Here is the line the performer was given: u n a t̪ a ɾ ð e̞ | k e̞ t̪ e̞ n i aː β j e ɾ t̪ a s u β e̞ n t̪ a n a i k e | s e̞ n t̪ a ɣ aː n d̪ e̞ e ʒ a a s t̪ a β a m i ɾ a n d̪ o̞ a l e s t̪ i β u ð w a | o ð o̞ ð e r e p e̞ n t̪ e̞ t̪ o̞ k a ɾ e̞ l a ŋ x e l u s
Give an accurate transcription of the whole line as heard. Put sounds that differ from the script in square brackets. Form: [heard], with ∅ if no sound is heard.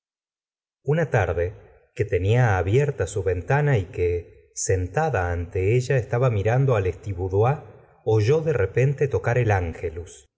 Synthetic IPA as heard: u n a t̪ a ɾ ð e̞ | k e̞ t̪ e̞ n i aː β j e ɾ t̪ a s u β e̞ n t̪ a n a i k e | s e̞ n t̪ a [ð] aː n [t̪] e̞ e ʒ a [e] s t̪ a β a m i ɾ a n d̪ o̞ a l e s t̪ i β u ð w a | o [ʒ] o̞ ð e r e p e̞ n t̪ e̞ t̪ o̞ k a ɾ e̞ l a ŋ x e l u s